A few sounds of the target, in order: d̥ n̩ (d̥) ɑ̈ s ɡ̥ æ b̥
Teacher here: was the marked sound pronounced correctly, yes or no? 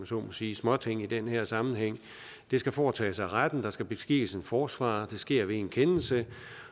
yes